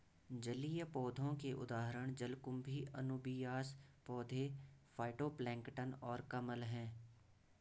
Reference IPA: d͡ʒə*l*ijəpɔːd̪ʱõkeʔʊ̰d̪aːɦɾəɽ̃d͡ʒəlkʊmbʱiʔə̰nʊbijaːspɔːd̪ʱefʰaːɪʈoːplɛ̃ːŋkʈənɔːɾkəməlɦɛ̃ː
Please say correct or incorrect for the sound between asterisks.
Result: correct